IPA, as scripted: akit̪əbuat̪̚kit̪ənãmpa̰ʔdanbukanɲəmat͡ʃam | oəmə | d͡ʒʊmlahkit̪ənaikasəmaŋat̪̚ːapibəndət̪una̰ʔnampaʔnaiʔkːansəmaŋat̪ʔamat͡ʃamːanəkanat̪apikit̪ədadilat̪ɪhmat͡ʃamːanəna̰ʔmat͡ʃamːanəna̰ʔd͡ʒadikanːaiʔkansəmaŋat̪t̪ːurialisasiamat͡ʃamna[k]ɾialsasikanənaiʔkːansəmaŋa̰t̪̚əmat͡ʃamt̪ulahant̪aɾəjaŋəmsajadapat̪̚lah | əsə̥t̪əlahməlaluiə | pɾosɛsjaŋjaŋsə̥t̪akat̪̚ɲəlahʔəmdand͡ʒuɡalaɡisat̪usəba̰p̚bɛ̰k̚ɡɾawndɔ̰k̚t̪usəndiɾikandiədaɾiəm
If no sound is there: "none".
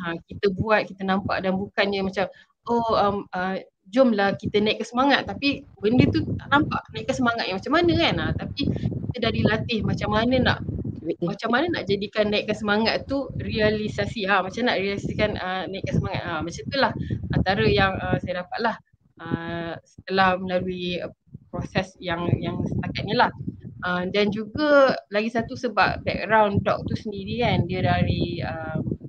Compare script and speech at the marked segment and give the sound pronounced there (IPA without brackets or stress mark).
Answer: ʔ